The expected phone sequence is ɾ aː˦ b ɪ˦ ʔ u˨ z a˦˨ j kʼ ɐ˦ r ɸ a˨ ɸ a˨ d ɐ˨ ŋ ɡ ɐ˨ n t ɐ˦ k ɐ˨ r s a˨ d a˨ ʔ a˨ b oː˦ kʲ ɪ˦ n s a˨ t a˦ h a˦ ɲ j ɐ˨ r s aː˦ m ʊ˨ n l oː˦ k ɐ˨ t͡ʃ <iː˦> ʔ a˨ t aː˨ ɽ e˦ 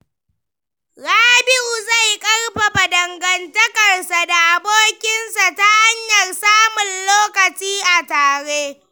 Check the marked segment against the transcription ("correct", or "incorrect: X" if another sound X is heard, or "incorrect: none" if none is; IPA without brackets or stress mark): correct